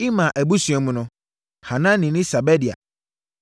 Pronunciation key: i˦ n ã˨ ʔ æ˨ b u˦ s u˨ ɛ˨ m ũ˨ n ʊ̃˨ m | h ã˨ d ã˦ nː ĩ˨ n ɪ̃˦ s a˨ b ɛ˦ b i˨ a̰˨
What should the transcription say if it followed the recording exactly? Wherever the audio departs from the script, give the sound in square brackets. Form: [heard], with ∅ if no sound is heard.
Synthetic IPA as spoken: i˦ [m] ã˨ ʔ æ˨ b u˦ s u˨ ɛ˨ m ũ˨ n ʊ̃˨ [∅] | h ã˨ [n] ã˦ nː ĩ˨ n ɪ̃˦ s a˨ b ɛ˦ [d] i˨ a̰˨